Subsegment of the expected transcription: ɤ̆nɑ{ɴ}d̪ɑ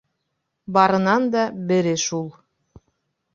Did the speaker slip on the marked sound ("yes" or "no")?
yes